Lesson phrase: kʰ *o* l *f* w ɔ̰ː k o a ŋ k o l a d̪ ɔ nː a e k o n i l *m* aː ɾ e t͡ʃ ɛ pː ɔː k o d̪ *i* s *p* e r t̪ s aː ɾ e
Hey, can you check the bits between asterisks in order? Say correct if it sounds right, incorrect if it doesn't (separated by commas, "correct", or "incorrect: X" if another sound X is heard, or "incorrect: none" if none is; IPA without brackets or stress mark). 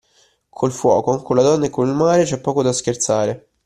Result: correct, correct, correct, incorrect: a, incorrect: k